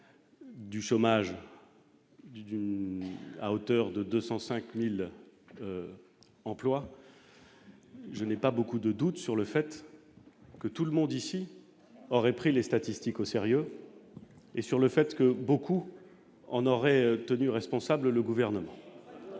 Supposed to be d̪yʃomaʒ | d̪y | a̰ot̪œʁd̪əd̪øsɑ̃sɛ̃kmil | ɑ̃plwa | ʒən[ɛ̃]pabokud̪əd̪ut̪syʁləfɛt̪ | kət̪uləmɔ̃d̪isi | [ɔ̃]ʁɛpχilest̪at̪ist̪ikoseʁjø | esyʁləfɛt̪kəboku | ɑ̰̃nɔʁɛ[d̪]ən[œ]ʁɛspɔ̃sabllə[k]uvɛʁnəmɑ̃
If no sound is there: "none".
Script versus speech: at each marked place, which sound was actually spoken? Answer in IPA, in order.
ɛ, ɔ, t̪, y, ɡ

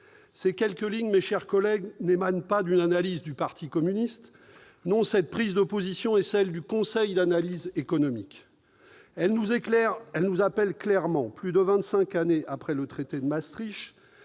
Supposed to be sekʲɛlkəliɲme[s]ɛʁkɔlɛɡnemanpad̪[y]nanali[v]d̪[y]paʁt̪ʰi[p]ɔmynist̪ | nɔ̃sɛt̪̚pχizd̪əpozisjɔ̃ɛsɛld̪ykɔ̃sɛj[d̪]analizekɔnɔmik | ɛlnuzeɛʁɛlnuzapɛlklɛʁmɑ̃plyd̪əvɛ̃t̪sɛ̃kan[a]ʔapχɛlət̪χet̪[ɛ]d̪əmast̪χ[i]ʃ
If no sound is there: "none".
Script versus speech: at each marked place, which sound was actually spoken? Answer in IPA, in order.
ʃ, y, z, y, k, d̪, e, e, i

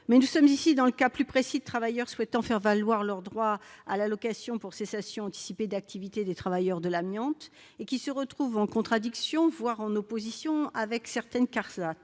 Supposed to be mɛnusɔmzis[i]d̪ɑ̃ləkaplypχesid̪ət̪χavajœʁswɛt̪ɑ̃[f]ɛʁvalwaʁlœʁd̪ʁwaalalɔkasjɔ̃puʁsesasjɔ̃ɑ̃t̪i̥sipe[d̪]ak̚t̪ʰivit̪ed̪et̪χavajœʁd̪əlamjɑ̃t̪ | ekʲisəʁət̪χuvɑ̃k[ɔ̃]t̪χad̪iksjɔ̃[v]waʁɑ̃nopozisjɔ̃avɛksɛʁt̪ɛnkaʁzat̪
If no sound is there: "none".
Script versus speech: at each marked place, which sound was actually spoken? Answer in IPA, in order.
i, f, d̪, ɔ̃, v

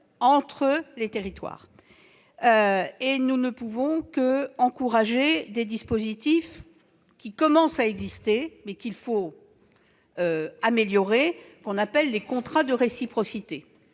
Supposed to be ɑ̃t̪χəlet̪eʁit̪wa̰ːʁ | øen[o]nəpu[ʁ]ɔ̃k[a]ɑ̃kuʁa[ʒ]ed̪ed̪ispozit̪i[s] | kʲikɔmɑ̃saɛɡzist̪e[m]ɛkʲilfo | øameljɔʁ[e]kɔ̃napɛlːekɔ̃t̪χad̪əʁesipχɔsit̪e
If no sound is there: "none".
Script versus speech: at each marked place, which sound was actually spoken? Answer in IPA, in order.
u, v, ə, ʒ, f, m, e

